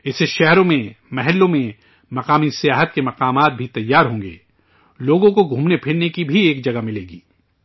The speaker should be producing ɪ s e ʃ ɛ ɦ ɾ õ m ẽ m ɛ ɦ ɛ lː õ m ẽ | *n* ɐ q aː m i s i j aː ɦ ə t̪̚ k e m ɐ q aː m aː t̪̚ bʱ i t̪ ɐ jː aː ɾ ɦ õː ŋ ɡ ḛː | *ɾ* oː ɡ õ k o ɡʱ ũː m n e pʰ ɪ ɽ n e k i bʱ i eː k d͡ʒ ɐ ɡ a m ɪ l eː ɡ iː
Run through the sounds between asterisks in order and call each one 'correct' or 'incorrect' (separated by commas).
incorrect, incorrect